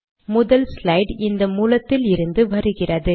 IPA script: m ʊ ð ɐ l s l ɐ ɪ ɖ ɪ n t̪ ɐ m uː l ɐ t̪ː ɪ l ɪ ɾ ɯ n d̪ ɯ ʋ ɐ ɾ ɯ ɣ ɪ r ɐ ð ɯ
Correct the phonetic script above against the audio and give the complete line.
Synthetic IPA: m ʊ ð ɐ l s l ɐ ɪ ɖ ɪ n d̪ ɐ m uː l ɐ t̪ː ɪ l ɪ ɾ ɯ n d̪ ɯ ʋ ɐ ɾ ɯ ɣ ɪ r ɐ ð ɯ